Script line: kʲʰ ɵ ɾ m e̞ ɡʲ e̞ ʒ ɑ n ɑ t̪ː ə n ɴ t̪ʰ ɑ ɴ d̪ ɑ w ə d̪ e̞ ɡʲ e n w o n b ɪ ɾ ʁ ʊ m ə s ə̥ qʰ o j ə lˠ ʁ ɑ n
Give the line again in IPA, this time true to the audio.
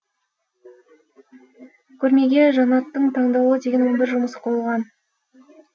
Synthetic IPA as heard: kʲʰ ɵ ɾ m e̞ ɡʲ e̞ ʒ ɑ n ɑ t̪ː ə ɴ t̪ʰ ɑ ɴ d̪ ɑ w ə d̪ e̞ ɡʲ e n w o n b ɪ ɾ ʒ ʊ m ə s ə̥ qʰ o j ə lˠ ʁ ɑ n

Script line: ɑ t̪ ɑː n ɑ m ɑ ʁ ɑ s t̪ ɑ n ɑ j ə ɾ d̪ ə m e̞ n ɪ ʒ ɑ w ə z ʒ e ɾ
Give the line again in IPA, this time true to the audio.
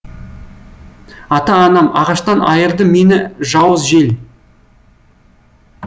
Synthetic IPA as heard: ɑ t̪ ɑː n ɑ m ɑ ʁ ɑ ʃ t̪ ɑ n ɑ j ə ɾ d̪ ə m e̞ n ɪ ʒ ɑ w ə z ʒ e l

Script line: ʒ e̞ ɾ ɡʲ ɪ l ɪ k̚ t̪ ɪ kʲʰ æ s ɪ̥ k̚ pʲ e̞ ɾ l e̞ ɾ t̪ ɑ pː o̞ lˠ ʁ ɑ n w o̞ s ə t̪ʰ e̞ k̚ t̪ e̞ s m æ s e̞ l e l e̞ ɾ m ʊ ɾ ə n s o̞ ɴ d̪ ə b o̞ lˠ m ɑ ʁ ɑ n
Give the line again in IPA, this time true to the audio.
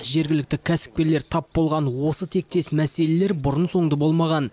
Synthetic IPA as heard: ʒ e̞ ɾ ɡʲ ɪ l ɪ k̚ t̪ ɪ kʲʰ æ s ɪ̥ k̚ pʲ e̞ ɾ l e̞ ɾ t̪ʰ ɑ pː o̞ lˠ ʁ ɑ n w o̞ s ə t̪ʰ e̞ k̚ t̪ e̞ s m æ s e̞ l e l e̞ ɾ b ʊ ɾ ə n s o̞ ɴ d̪ ə b o̞ lˠ m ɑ ʁ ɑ n

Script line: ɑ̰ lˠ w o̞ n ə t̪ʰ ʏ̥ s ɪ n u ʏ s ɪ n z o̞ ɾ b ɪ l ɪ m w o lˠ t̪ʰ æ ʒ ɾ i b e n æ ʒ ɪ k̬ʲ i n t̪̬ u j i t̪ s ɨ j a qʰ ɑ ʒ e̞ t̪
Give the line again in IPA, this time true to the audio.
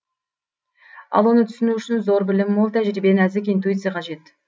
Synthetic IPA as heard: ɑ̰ lˠ w o̞ n ə t̪ʰ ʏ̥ s ɪ n u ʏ ʃ ɪ n z o̞ ɾ b ɪ l ɪ m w o lˠ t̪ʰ æ ʒ ɾ i b e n æ z ɪ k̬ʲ i n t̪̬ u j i t̪ s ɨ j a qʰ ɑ ʒ e̞ t̪

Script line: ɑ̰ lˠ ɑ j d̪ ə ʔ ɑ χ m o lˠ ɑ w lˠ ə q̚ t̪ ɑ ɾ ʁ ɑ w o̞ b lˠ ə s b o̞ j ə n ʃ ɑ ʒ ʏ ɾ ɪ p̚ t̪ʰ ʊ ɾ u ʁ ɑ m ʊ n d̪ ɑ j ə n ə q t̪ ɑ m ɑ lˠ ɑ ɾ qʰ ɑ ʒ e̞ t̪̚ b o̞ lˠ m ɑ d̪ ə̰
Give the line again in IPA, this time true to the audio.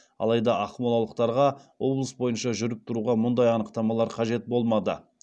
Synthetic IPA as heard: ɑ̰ lˠ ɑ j d̪ ɑ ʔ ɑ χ m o lˠ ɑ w lˠ ə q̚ t̪ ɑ ɾ ʁ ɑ w o̞ b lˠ ə s b o̞ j ə n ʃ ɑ ʒ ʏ ɾ ɪ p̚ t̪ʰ ʊ ɾ u ʁ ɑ m ʊ n d̪ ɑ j ɑ n ə q t̪ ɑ m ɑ lˠ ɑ ɾ qʰ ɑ ʒ e̞ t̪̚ b o̞ lˠ m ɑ d̪ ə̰

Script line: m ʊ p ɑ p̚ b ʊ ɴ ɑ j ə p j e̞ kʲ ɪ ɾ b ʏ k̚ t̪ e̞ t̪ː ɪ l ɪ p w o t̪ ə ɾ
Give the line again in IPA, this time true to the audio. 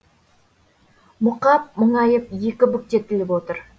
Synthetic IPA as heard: m ʊ q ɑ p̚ m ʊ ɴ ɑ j ə p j e̞ kʲ ɪ b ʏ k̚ t̪ e̞ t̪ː ɪ l ɪ p w o t̪ ə ɾ

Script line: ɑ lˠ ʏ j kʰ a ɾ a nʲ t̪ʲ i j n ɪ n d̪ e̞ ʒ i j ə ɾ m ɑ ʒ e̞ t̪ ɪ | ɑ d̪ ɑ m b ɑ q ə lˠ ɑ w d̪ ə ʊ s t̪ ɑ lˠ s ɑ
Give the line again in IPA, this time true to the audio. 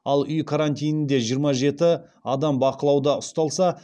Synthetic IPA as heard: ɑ lˠ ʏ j kʰ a ɾ a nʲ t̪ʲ i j n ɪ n d̪ e̞ ʒ i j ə ɾ m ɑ ʒ e̞ t̪ ɪ | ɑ d̪ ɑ m b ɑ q ə lˠ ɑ w d̪ ɑ ʊ s t̪ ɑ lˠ s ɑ

